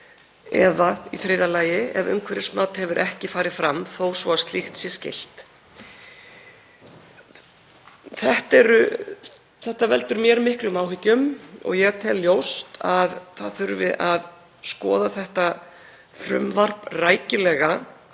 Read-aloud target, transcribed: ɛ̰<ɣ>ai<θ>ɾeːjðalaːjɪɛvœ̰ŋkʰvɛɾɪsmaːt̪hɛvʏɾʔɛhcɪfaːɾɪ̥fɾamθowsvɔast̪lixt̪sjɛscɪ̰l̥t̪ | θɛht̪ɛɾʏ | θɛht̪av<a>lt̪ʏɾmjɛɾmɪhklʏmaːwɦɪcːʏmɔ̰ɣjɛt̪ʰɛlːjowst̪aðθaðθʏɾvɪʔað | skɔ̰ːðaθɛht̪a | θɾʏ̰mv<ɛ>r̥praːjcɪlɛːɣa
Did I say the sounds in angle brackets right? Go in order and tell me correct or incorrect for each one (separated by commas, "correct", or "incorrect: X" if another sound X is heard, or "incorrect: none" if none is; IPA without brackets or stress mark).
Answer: incorrect: ð, correct, incorrect: ɛ, incorrect: a